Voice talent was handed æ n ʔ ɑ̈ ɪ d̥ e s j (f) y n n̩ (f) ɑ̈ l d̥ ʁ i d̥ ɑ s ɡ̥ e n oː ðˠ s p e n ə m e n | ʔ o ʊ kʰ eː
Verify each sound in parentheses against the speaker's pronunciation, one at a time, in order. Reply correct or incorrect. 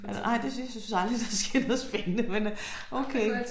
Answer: incorrect, incorrect

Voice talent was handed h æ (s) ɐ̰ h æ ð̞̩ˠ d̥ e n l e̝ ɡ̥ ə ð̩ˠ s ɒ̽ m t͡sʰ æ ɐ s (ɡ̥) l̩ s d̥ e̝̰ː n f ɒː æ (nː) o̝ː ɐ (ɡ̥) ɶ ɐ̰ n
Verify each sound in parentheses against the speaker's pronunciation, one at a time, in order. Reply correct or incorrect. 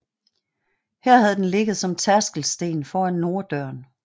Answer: incorrect, correct, correct, incorrect

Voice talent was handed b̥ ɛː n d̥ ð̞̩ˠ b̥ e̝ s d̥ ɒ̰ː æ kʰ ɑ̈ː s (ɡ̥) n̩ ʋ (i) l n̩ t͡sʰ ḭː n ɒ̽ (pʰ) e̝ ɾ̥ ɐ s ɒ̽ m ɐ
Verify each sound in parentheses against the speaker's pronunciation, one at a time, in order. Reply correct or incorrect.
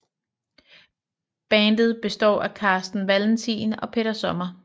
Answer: incorrect, incorrect, correct

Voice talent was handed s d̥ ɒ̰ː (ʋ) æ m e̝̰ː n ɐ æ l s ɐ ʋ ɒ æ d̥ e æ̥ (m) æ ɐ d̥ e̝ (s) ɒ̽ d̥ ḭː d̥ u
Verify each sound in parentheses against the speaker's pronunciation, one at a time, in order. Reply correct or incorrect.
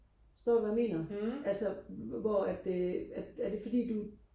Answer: correct, incorrect, incorrect

